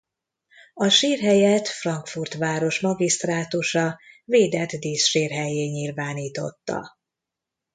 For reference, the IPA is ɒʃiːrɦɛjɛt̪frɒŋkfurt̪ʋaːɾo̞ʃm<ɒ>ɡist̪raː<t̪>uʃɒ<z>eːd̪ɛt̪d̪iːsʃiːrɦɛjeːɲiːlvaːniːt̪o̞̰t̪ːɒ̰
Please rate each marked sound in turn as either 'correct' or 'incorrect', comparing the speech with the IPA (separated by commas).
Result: correct, correct, incorrect